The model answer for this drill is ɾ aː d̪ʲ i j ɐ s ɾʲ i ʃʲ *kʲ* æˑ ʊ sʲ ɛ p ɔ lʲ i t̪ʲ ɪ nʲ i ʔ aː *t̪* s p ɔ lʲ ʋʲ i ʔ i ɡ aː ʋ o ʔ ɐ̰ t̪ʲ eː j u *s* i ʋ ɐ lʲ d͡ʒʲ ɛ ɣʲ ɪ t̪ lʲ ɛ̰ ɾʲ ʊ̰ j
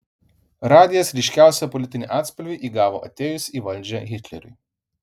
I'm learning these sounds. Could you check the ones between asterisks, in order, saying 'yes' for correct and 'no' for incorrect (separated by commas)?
yes, yes, yes